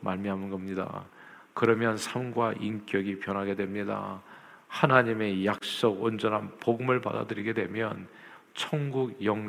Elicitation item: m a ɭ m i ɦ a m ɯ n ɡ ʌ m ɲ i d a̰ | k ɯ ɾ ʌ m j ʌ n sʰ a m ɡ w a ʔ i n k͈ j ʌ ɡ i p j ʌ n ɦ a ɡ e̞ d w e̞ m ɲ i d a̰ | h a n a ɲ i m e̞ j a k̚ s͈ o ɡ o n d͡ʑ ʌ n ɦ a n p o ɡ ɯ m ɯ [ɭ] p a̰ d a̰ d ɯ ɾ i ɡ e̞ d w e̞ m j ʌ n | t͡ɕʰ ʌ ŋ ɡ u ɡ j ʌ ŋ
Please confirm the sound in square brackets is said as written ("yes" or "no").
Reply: yes